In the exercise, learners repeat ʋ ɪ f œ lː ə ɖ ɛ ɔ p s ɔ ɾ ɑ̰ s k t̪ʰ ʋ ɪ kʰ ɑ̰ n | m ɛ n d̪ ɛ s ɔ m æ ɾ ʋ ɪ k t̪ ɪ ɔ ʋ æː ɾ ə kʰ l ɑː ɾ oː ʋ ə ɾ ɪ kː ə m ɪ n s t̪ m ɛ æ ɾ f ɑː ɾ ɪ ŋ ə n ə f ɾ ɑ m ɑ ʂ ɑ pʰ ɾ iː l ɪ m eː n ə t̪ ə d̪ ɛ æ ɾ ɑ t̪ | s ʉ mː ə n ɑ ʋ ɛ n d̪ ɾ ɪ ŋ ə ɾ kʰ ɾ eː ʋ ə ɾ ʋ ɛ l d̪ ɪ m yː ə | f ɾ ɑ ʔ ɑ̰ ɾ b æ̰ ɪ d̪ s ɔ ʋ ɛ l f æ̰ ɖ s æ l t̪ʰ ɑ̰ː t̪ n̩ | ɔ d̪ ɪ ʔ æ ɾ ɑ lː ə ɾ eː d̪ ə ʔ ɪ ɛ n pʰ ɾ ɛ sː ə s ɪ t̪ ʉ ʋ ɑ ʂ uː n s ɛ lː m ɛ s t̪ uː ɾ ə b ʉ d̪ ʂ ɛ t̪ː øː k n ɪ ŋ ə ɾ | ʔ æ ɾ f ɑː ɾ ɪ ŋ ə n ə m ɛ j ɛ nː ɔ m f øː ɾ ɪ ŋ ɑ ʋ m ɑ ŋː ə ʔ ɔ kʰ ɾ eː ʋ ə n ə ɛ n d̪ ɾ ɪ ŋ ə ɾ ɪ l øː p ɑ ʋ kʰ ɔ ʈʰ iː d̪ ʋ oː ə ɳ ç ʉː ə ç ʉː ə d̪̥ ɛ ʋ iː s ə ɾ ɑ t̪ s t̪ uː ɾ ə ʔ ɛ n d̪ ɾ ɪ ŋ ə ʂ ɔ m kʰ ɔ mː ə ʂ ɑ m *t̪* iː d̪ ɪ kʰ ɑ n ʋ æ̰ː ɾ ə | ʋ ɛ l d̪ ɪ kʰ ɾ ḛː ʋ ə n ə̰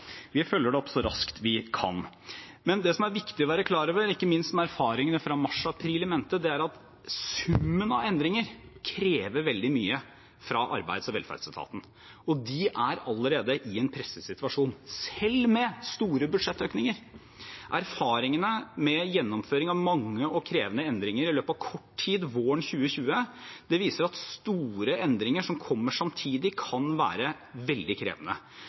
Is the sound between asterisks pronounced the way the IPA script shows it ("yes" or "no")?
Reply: no